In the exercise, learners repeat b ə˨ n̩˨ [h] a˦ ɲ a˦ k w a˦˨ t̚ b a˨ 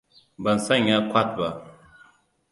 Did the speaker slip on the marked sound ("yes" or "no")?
yes